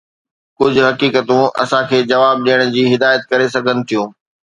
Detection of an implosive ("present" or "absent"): present